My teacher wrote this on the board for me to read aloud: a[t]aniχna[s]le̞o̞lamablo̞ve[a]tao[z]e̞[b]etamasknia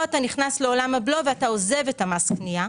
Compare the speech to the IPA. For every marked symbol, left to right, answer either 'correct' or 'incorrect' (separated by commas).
correct, correct, correct, correct, incorrect